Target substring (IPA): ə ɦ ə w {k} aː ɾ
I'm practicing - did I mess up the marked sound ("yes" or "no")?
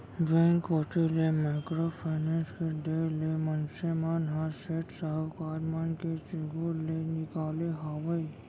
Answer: no